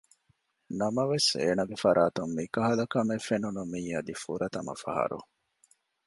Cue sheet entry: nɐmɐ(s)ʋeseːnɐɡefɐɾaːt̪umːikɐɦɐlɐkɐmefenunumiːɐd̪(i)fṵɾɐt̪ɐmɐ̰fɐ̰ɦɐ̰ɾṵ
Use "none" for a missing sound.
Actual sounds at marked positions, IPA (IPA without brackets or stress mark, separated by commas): none, i